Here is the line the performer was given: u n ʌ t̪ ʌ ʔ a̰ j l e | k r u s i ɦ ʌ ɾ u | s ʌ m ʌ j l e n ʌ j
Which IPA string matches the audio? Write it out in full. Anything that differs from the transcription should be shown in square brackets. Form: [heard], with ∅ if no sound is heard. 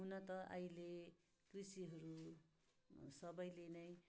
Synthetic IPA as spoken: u n ʌ t̪ ʌ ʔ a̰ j l e | k r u s i ɦ ʌ ɾ u | s ʌ [b] ʌ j l e n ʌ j